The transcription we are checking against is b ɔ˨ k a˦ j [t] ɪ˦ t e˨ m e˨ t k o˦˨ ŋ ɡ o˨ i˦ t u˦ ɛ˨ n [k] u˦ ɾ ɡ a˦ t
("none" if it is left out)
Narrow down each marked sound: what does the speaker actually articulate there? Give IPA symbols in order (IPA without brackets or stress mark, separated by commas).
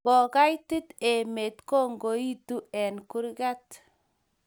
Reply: t, k